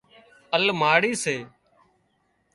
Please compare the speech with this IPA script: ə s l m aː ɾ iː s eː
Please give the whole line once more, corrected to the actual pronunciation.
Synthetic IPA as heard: ə l m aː ɽ iː s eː